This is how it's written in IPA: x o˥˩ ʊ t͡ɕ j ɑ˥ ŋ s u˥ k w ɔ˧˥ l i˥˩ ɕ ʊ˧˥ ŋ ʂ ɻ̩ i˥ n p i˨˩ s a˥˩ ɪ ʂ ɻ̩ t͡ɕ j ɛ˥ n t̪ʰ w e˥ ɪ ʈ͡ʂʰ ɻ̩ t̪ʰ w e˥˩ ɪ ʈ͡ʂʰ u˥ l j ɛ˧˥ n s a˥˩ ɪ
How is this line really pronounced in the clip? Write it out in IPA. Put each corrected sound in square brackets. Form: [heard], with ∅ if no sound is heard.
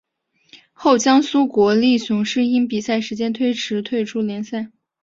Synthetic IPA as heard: x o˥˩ ʊ t͡ɕ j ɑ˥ ŋ s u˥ k w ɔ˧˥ l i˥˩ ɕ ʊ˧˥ ŋ ʂ ɻ̩ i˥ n p i˨˩ s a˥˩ ɪ ʂ ɻ̩ t͡ɕ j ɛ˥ n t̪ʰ w e˥ ɪ ʈ͡ʂʰ ɻ̩ t̪ʰ w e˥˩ ɪ ʈ͡ʂʰ u˥ l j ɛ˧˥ n s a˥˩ ɪ

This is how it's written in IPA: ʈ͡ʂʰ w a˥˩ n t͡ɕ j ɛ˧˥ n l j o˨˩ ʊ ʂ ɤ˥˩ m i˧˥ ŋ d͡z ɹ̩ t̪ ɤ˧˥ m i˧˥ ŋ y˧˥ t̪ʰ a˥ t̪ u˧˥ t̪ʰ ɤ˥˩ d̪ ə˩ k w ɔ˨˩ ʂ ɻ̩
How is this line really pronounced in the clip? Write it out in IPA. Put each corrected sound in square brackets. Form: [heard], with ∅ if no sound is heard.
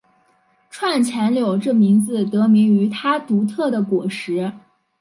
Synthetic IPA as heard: ʈ͡ʂʰ w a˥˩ n [t͡ɕʰ] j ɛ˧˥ n l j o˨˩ ʊ [ʈ͡ʂ] ɤ˥˩ m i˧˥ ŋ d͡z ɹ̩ t̪ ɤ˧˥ m i˧˥ ŋ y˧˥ t̪ʰ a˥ t̪ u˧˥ t̪ʰ ɤ˥˩ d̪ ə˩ k w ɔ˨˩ ʂ ɻ̩

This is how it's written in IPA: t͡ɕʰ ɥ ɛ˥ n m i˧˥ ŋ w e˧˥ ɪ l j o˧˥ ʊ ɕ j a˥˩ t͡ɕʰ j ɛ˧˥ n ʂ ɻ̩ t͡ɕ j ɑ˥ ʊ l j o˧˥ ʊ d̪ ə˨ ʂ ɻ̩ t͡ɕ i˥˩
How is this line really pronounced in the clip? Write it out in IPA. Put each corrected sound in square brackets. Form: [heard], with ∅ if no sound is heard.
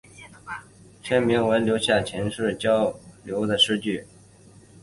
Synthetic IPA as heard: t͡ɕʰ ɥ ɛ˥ n m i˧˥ ŋ w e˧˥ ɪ l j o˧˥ ʊ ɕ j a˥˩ t͡ɕʰ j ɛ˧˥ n ʂ ɻ̩ t͡ɕ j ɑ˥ ʊ l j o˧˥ ʊ d̪ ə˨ ʂ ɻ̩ t͡ɕ [y˥˩]

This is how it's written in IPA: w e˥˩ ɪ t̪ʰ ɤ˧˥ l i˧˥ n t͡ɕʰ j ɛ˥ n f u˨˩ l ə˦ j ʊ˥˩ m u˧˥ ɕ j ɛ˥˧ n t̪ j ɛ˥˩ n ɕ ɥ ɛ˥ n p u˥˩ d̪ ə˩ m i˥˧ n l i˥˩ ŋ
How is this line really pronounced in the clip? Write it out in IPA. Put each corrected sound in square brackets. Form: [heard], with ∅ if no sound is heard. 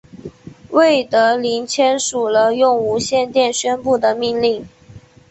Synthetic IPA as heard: w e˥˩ ɪ [t̪] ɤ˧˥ l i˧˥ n t͡ɕʰ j ɛ˥ n [ʂ] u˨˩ l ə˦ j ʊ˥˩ [ŋ] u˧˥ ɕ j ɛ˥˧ n t̪ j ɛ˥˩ n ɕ ɥ ɛ˥ n p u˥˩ d̪ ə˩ m i˥˧ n l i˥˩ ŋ

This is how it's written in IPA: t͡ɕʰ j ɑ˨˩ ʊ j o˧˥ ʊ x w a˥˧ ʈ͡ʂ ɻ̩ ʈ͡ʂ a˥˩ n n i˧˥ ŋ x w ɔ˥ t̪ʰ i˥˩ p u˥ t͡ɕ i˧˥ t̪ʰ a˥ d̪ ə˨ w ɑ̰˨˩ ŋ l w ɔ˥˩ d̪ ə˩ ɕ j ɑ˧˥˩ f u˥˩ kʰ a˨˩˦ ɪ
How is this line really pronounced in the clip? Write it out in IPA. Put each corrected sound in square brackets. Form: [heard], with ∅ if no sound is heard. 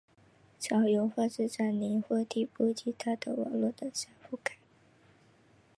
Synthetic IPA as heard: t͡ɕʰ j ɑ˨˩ ʊ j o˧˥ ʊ x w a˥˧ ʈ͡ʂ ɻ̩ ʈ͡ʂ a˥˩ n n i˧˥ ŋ x w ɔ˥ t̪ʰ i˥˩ p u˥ t͡ɕ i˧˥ t̪ʰ a˥ d̪ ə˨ w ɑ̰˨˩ ŋ l w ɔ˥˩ d̪ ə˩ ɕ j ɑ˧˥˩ f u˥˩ [k] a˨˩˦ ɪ

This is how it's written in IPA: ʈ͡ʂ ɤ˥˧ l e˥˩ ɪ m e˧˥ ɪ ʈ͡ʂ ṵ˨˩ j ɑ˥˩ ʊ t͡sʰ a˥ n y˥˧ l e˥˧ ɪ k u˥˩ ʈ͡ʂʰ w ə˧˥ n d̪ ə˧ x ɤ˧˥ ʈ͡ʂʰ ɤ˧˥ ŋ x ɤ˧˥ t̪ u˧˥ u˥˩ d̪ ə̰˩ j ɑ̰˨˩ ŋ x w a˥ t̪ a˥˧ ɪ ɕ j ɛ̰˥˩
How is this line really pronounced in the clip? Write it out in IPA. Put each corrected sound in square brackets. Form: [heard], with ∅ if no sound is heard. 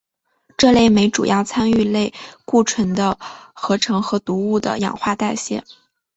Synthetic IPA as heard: ʈ͡ʂ ɤ˥˧ l e˥˩ ɪ m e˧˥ ɪ ʈ͡ʂ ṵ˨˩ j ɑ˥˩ ʊ t͡sʰ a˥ n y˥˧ l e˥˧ ɪ k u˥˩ ʈ͡ʂʰ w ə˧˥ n d̪ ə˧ x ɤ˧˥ ʈ͡ʂʰ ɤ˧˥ ŋ x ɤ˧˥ t̪ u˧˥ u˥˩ d̪ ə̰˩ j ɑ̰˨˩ ŋ x w [a˥˧] t̪ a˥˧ ɪ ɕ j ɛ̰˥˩

